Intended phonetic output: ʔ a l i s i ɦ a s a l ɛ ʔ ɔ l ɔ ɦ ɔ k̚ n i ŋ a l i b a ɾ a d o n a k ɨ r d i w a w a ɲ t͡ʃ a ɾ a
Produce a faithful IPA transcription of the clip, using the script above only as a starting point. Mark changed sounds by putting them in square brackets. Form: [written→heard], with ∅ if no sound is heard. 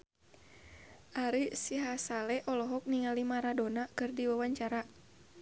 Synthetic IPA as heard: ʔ a [l→ɾ] i s i ɦ a s a l ɛ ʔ ɔ l ɔ ɦ ɔ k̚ n i ŋ a l i [b→m] a ɾ a d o n a k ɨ r d i w a w a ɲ t͡ʃ a ɾ a